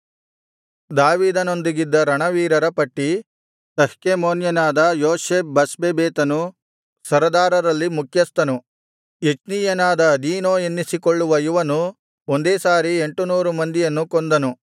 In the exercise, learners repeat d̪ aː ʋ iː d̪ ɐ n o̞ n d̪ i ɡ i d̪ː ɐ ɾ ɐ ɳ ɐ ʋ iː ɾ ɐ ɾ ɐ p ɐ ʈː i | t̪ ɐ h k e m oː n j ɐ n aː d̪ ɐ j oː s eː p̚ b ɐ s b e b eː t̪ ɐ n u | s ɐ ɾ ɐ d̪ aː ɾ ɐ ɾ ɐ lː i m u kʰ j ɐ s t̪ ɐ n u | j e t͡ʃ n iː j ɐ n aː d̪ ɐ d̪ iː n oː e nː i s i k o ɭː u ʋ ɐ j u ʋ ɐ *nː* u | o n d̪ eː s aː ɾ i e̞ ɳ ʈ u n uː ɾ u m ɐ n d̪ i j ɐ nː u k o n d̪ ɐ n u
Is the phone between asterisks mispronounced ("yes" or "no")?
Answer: yes